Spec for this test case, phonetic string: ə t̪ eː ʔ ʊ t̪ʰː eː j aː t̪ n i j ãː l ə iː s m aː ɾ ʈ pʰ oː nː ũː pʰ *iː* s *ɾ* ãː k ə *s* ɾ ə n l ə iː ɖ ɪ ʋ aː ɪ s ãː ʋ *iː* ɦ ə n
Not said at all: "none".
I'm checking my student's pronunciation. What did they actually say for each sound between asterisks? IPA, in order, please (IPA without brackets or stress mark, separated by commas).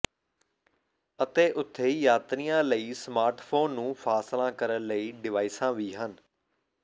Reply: aː, l, none, iː